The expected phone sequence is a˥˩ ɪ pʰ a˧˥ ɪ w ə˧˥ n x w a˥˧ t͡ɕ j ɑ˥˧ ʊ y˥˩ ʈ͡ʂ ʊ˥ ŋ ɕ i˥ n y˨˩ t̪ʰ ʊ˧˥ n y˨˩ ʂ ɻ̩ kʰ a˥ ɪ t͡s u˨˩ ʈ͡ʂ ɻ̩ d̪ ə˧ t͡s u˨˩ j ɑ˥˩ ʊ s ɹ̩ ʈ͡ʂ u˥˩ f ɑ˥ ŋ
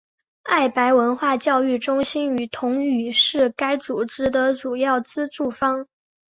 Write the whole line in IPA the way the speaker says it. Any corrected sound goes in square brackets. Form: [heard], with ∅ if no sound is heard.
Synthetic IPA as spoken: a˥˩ ɪ [p] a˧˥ ɪ w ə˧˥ n x w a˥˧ t͡ɕ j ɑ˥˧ ʊ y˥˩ ʈ͡ʂ ʊ˥ ŋ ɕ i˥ n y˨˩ t̪ʰ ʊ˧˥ [ŋ] y˨˩ ʂ ɻ̩ [k] a˥ ɪ t͡s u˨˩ ʈ͡ʂ ɻ̩ d̪ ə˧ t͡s u˨˩ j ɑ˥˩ ʊ [t͡s] ɹ̩ ʈ͡ʂ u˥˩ f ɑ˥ ŋ